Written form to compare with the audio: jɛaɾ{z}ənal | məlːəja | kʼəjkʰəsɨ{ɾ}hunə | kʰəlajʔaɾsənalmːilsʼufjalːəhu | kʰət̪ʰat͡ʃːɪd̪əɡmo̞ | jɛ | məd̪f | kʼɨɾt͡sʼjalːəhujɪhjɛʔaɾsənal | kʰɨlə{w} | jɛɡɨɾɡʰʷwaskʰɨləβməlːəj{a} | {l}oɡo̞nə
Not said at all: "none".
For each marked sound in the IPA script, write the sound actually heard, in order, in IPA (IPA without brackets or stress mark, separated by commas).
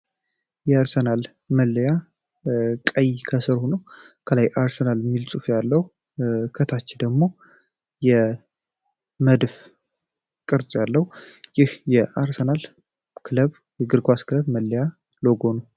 s, ɾ, β, a, l